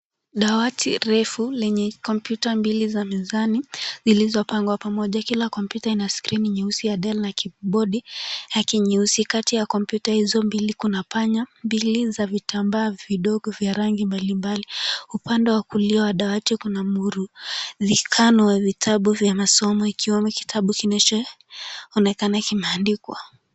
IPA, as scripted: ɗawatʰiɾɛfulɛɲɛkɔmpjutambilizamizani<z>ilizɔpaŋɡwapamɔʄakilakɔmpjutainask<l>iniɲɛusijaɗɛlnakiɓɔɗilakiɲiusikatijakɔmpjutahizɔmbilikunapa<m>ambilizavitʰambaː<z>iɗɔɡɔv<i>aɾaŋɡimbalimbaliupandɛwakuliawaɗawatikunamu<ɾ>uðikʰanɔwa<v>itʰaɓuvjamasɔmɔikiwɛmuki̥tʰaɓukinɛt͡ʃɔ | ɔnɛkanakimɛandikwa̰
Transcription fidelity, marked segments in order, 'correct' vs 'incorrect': correct, incorrect: ɾ, incorrect: ɲ, incorrect: v, incorrect: j, correct, correct

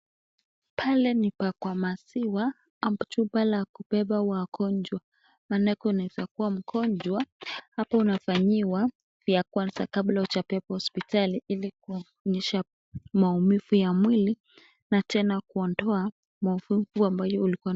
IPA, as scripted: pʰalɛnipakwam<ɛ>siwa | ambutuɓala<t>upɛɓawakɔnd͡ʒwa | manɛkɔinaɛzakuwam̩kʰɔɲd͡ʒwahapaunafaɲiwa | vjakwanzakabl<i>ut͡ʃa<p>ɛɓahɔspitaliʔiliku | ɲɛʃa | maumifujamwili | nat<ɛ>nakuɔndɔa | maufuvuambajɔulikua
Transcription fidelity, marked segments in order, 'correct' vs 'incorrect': incorrect: a, incorrect: k, incorrect: a, correct, correct

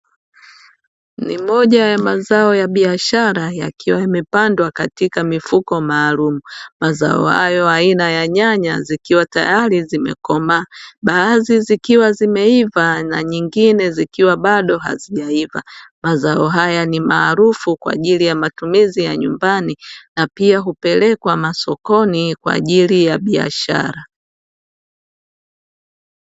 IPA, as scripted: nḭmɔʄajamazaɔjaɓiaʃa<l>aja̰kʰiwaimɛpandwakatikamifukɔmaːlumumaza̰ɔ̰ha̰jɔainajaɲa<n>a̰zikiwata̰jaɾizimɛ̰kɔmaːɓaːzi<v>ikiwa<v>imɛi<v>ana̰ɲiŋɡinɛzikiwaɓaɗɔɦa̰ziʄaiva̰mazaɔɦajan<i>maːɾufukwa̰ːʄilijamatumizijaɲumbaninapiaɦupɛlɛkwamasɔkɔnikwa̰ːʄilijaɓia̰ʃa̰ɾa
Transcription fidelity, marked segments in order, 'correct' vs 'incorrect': incorrect: ɾ, incorrect: ɲ, incorrect: z, incorrect: z, correct, correct

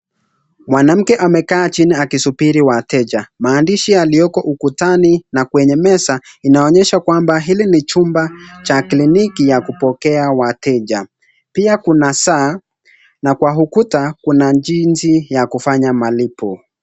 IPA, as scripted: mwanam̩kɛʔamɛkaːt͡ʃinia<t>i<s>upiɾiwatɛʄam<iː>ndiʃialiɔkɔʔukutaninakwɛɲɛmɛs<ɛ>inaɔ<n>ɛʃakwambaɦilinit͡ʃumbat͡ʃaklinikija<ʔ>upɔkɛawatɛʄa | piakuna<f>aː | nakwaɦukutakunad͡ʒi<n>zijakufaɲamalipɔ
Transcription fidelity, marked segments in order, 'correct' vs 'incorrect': incorrect: k, correct, incorrect: aː, incorrect: a, incorrect: ɲ, incorrect: k, incorrect: s, correct

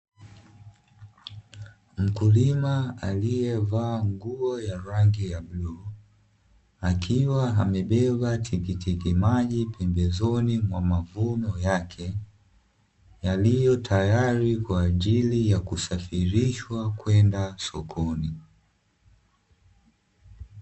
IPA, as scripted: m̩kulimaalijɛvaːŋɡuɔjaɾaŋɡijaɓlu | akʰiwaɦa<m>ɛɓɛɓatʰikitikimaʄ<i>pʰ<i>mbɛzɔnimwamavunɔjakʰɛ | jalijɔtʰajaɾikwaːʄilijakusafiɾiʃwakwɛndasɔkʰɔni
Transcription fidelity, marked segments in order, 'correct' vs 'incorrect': correct, correct, incorrect: ɛ

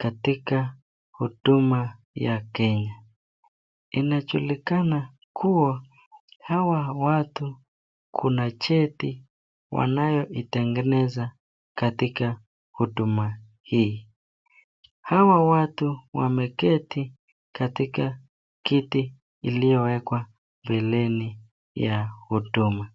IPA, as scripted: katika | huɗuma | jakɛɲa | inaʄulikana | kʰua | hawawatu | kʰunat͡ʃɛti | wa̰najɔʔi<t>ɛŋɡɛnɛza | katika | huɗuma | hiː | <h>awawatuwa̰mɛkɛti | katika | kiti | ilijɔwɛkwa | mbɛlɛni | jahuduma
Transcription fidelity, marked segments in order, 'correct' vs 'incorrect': correct, correct

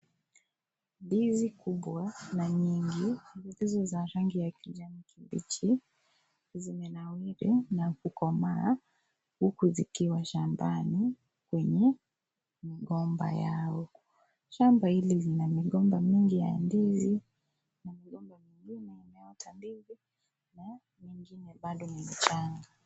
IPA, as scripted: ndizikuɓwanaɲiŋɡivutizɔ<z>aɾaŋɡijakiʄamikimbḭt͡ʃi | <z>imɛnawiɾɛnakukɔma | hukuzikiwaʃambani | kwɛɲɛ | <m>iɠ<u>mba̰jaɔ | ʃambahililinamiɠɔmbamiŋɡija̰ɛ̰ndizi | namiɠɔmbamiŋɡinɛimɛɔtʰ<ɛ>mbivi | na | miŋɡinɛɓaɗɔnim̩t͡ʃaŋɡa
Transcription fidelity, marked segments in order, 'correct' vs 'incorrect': correct, correct, correct, incorrect: ɔ, incorrect: a

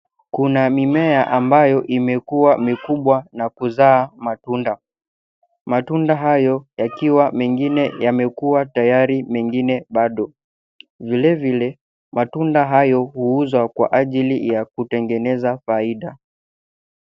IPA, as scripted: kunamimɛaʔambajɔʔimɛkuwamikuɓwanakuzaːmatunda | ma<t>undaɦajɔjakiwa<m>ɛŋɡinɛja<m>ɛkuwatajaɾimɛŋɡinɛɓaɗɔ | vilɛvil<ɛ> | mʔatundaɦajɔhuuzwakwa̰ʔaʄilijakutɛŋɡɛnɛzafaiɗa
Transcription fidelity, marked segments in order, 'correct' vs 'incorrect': correct, correct, correct, correct

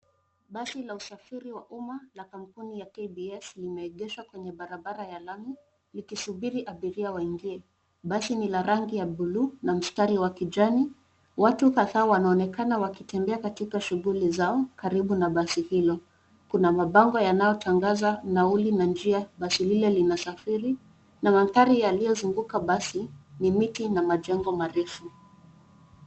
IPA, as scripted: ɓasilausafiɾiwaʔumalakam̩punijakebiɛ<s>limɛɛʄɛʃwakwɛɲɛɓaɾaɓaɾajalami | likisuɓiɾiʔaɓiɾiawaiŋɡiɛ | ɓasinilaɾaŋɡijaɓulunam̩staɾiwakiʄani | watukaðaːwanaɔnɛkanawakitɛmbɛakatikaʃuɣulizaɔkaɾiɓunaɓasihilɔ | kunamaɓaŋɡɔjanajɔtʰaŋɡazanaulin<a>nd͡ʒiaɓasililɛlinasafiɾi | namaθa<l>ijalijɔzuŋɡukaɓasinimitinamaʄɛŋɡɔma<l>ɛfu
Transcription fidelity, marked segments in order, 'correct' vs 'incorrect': correct, correct, incorrect: ɾ, incorrect: ɾ

